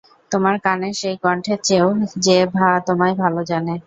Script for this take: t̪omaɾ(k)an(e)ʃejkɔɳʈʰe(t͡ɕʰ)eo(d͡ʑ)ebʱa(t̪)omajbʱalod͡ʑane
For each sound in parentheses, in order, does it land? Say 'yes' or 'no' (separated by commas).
yes, yes, no, yes, yes